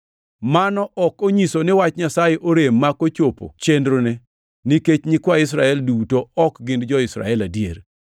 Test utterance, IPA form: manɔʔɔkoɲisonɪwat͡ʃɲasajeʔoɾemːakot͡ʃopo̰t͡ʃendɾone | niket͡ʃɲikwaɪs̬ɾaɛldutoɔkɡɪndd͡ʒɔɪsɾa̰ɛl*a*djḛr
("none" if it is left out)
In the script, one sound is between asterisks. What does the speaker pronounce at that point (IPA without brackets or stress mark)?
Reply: a